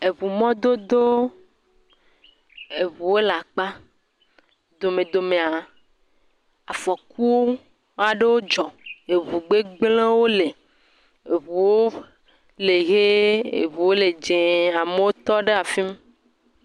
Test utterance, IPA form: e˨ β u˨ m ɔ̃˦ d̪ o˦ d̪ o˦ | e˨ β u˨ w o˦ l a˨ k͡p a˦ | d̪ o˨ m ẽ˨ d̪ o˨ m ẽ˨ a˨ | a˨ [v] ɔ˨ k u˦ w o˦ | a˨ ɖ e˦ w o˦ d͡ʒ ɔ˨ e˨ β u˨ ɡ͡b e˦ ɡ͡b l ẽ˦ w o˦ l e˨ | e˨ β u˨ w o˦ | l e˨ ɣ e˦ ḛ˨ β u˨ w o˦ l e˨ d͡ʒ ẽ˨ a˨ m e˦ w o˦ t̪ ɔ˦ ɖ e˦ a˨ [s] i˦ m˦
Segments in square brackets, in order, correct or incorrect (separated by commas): incorrect, incorrect